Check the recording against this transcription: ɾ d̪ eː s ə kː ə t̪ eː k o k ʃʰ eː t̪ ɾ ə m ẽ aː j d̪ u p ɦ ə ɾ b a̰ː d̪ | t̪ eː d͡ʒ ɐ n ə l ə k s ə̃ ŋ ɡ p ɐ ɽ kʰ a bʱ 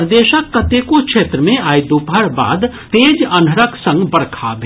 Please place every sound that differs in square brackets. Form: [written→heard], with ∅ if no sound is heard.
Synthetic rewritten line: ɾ d̪ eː [s→ʃ] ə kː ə t̪ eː k o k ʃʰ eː t̪ ɾ ə m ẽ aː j d̪ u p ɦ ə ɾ b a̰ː d̪ | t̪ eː d͡ʒ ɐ n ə [l→ɾ] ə k s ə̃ ŋ ɡ [p→b] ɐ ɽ kʰ a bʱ